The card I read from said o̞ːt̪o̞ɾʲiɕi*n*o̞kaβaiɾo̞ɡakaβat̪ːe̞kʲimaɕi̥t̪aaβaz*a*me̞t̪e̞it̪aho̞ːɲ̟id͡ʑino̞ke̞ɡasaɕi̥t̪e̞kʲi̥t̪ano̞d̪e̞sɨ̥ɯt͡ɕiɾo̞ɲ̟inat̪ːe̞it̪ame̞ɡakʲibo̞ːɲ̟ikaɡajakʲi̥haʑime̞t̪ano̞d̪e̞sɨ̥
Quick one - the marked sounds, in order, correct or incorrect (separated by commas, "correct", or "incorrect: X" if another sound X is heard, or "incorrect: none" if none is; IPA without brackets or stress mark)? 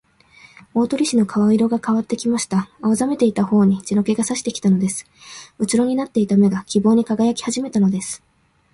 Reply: correct, correct